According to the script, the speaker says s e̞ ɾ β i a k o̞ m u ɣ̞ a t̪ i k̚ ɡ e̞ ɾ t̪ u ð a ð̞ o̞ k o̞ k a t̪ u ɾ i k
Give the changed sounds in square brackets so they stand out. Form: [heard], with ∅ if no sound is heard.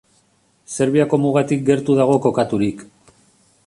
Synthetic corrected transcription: s e̞ ɾ β i a k o̞ m u ɣ̞ a t̪ i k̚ ɡ e̞ ɾ t̪ u ð a [ɣ̞] o̞ k o̞ k a t̪ u ɾ i k